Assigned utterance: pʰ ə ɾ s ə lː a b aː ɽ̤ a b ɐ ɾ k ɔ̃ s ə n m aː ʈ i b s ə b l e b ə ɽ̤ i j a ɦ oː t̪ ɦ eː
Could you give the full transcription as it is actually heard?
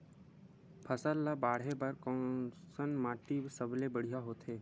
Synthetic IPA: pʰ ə s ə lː a b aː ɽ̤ e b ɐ ɾ k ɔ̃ s ə n m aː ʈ i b s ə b l e b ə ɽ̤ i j a ɦ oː t̪ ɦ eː